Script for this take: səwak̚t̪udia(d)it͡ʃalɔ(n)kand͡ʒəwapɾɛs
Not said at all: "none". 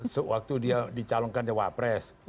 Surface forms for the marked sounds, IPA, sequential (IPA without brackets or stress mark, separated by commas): d, ŋ